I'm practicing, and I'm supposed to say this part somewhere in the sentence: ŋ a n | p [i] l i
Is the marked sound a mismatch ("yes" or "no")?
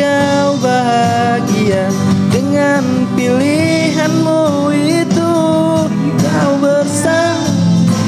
no